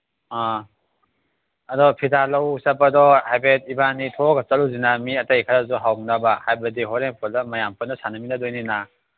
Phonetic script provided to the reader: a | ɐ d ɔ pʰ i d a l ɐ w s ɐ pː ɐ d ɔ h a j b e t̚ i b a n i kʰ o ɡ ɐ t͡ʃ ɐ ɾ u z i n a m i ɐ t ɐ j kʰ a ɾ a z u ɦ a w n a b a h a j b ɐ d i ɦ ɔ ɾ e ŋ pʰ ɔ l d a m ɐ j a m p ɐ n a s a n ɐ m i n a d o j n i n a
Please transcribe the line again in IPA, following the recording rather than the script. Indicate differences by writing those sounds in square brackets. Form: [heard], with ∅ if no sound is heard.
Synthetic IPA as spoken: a | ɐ d ɔ pʰ i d a l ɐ w s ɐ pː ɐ d ɔ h a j b e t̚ i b a n i [tʰ] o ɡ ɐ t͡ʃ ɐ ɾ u z i n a m i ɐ t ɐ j kʰ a ɾ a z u ɦ a w n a b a h a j b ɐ d i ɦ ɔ ɾ e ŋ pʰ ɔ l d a m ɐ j a m p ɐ n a s a n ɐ m i n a d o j n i n a